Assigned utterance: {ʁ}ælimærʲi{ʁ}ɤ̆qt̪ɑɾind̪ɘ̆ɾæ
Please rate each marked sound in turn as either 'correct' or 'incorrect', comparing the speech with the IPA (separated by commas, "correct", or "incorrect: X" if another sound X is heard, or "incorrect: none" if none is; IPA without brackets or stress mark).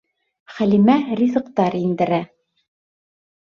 incorrect: χ, incorrect: z